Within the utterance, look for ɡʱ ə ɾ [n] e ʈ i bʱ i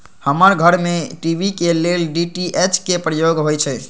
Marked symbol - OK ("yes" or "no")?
no